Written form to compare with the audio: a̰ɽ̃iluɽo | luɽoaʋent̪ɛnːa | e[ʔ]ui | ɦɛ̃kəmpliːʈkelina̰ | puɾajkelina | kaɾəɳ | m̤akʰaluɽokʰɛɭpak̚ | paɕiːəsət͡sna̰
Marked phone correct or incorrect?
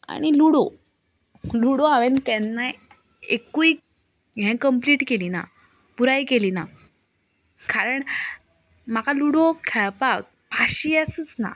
incorrect